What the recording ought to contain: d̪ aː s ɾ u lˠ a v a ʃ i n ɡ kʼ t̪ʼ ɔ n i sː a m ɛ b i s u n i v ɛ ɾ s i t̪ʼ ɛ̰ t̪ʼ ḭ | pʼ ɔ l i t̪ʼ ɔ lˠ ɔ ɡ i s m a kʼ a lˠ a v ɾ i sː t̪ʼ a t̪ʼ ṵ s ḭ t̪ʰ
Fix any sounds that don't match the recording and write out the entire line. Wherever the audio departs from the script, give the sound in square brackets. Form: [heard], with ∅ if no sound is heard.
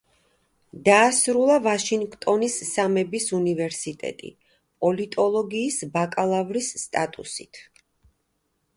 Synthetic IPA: d̪ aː s ɾ u lˠ a v a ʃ i [ŋ] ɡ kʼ t̪ʼ ɔ n i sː a m ɛ b i s u n i v ɛ ɾ s i t̪ʼ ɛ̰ t̪ʼ ḭ | pʼ ɔ l i t̪ʼ ɔ lˠ ɔ ɡ [iː] s [b] a kʼ a lˠ a v ɾ i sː t̪ʼ a t̪ʼ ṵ s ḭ t̪ʰ